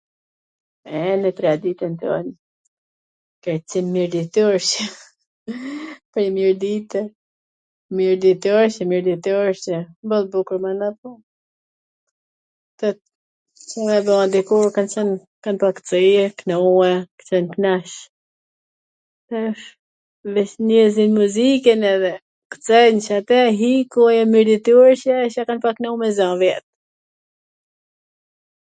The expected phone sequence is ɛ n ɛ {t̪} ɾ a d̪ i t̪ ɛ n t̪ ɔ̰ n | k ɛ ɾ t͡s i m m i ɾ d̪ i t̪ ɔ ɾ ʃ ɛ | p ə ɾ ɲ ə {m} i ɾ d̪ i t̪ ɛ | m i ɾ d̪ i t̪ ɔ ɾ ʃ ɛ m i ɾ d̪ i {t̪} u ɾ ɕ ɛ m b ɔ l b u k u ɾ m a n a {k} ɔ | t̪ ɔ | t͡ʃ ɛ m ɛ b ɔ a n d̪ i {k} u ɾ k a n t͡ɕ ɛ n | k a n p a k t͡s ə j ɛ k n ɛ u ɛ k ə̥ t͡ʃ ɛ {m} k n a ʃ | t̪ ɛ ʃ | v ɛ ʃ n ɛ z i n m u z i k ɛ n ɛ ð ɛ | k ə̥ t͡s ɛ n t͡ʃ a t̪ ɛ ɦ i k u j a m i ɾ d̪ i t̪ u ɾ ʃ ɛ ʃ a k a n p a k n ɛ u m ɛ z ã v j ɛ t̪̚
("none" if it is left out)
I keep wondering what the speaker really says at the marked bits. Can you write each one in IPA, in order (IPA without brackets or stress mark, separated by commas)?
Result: t̪, m, t̪, p, k, n